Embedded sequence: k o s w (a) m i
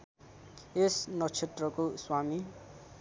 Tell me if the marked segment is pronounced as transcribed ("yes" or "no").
yes